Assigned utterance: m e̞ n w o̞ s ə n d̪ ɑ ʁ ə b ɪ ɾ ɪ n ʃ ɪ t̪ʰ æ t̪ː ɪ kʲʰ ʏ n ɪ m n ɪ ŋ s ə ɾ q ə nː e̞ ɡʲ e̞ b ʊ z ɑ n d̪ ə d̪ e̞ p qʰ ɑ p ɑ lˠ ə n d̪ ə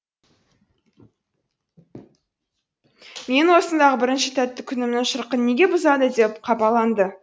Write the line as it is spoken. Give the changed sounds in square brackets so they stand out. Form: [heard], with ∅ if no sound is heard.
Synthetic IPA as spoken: m e̞ n w o̞ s ə n d̪ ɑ ʁ ə b ɪ ɾ ɪ n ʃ ɪ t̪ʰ æ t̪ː ɪ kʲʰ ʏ n ɪ m n ɪ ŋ [ʃ] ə ɾ q ə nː e̞ ɡʲ e̞ b ʊ z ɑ [∅] d̪ ə d̪ e̞ p qʰ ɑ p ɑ lˠ [ɑ] n d̪ ə

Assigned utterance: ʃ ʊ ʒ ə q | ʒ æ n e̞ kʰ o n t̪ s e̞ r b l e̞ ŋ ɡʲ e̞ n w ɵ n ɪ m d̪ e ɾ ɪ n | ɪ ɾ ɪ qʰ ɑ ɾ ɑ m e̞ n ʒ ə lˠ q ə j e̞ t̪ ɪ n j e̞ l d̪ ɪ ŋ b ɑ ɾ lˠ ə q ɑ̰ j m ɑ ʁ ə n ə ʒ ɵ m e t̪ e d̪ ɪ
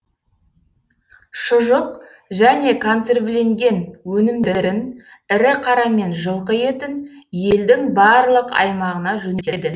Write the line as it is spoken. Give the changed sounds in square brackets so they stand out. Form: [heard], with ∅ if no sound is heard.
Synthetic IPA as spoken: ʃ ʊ ʒ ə q | ʒ æ n e̞ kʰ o n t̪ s e̞ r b l e̞ ŋ ɡʲ e̞ n w ɵ n ɪ m d̪ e ɾ ɪ n | ɪ ɾ ɪ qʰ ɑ ɾ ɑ m e̞ n ʒ ə lˠ q ə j e̞ t̪ ɪ n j e̞ l d̪ ɪ ŋ b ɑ ɾ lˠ ə q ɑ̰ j m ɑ ʁ ə n [ɑ] ʒ ɵ [n] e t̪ e d̪ ɪ

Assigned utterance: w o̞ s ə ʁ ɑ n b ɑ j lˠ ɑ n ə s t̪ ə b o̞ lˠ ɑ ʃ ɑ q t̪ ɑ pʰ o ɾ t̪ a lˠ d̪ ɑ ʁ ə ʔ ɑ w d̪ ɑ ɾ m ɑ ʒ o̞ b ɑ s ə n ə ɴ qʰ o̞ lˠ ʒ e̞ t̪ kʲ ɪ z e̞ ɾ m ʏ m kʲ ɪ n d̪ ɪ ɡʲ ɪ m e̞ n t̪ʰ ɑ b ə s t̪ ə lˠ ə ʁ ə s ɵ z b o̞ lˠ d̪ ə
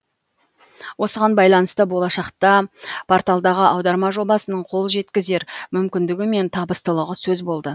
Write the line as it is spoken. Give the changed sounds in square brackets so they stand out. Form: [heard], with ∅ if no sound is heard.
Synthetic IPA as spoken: w o̞ s ə ʁ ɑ n b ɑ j lˠ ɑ n ə s t̪ ə b o̞ lˠ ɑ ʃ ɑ q t̪ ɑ pʰ o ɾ t̪ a lˠ d̪ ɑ ʁ ə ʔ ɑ w d̪ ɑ ɾ m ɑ ʒ o̞ b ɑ s ə n ə ɴ qʰ o̞ lˠ ʒ e̞ t̪ kʲ ɪ z e̞ ɾ m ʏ m kʲ ɪ n d̪ ɪ ɡʲ ɪ m e̞ n t̪ʰ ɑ b ə s t̪ ə lˠ ə ʁ ə s ɵ z b o̞ lˠ d̪ ə

